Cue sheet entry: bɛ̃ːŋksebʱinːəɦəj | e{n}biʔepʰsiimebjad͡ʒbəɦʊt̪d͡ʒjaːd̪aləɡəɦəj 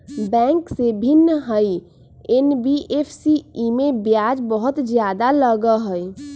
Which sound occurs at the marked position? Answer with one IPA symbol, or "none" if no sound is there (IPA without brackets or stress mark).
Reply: n